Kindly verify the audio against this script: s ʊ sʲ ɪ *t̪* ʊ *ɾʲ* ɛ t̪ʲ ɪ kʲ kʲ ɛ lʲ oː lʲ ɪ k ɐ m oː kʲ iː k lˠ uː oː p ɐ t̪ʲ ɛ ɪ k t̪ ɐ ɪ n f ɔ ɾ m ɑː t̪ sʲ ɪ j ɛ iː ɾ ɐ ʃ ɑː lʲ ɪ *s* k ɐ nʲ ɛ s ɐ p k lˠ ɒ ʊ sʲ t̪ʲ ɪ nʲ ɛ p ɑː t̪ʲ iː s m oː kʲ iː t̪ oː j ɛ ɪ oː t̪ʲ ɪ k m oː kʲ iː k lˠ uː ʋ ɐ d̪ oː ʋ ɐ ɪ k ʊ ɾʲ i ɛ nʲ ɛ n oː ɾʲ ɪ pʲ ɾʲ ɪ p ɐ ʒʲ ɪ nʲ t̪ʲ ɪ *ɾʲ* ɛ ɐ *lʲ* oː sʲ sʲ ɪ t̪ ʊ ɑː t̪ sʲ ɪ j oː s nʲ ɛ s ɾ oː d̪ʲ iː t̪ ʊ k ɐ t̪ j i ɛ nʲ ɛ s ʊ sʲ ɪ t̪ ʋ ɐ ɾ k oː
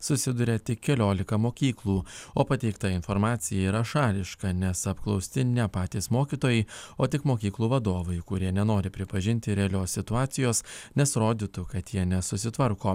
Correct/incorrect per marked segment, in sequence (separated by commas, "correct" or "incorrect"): incorrect, correct, incorrect, correct, correct